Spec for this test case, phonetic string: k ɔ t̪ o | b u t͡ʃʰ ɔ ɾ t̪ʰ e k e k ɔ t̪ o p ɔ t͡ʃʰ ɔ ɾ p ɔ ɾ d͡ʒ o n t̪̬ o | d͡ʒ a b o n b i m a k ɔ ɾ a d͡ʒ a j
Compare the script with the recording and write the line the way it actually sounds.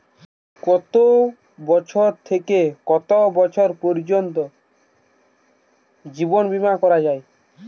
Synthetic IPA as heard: k ɔ t̪ o | b ɔ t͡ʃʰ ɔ ɾ t̪ʰ e k e k ɔ t̪ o b ɔ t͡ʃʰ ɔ ɾ p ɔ ɾ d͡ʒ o n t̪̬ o | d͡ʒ i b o n b i m a k ɔ ɾ a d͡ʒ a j